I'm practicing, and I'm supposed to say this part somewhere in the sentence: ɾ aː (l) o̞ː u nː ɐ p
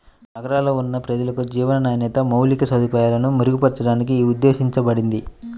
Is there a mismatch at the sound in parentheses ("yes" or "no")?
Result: no